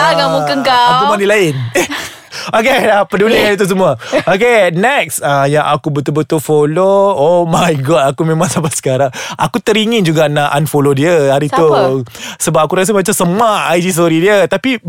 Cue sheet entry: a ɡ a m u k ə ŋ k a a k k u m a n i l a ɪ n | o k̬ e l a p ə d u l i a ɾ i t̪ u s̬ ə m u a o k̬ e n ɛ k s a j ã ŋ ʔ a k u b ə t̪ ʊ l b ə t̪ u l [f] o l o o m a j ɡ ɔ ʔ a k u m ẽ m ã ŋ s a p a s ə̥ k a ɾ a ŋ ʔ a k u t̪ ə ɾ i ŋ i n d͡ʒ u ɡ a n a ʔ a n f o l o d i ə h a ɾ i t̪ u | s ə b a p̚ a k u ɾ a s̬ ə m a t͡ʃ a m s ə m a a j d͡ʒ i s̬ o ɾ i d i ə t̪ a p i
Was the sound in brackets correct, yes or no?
yes